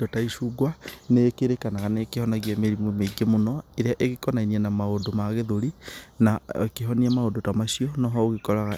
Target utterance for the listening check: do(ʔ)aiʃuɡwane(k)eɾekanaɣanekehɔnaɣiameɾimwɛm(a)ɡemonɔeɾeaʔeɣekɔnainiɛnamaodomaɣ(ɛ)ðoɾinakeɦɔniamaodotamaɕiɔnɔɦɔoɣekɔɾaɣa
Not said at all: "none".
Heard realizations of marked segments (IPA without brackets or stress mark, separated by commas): t, k, e, e